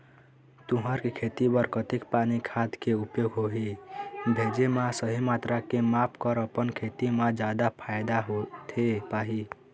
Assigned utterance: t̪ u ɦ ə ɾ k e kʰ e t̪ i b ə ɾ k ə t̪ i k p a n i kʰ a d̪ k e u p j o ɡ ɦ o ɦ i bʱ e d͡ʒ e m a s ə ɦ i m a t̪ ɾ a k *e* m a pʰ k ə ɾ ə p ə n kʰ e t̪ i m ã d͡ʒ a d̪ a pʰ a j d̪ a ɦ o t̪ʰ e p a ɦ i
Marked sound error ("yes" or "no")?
no